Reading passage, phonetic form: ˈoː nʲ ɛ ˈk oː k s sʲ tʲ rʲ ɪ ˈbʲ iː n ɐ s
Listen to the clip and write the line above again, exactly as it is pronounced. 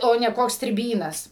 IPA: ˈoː nʲ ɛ ˈk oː k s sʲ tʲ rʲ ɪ ˈbʲ iː n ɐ s